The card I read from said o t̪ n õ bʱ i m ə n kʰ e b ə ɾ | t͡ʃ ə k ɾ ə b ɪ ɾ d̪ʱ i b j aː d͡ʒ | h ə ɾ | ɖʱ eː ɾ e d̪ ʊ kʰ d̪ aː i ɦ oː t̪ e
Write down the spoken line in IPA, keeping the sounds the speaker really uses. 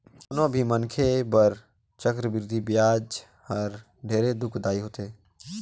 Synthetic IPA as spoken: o n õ bʱ i m ə n kʰ e b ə ɾ | t͡ʃ ə k ɾ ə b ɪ ɾ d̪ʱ i b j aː d͡ʒ | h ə ɾ | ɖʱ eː ɾ e d̪ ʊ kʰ d̪ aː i ɦ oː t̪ e